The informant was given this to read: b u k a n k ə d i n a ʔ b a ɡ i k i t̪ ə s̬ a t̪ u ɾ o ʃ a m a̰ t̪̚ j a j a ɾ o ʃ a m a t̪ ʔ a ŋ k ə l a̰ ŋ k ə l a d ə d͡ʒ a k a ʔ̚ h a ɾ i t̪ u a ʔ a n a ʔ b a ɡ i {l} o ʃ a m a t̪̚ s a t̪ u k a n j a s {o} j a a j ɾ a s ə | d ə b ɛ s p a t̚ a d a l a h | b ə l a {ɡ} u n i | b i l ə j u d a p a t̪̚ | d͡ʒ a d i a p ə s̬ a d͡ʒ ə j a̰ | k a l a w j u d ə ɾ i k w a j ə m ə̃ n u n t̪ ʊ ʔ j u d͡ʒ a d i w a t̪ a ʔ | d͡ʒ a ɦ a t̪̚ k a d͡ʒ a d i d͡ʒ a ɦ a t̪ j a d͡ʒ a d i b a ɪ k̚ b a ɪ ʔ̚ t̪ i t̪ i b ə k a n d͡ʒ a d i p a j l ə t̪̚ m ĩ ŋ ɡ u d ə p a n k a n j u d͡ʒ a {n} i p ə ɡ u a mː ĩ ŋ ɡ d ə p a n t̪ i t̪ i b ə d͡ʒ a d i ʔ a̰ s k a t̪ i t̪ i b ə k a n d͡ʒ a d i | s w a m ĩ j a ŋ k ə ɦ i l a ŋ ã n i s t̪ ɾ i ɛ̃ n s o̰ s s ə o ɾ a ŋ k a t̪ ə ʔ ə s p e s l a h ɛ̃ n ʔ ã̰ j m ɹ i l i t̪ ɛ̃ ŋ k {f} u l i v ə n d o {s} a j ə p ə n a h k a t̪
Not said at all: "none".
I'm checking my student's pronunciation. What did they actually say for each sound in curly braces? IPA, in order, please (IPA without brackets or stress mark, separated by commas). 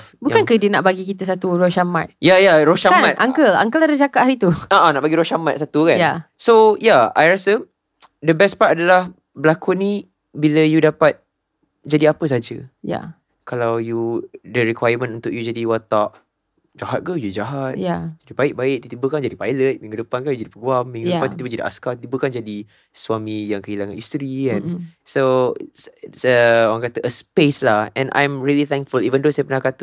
ɾ, o, k, d, f, s